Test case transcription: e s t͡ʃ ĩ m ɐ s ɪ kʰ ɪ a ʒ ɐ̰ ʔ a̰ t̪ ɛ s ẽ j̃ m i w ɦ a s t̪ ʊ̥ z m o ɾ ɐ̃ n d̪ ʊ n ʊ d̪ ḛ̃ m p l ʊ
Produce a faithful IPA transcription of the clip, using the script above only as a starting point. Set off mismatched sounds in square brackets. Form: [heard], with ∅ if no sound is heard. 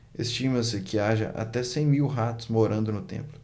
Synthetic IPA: e s t͡ʃ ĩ m ɐ s ɪ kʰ ɪ a ʒ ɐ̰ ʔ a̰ t̪ ɛ s ẽ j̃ m i w ɦ a [∅] t̪ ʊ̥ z m o ɾ ɐ̃ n d̪ ʊ n ʊ [t̪] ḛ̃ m p l ʊ